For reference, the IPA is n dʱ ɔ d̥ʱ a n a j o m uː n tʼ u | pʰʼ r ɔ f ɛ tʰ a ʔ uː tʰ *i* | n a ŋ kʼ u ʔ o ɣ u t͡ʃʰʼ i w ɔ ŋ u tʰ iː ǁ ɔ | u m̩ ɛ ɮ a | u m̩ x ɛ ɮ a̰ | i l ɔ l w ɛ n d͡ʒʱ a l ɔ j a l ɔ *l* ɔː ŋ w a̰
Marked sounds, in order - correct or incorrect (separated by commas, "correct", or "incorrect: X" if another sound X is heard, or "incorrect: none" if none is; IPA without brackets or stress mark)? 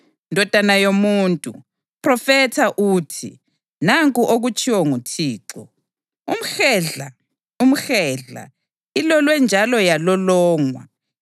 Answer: correct, correct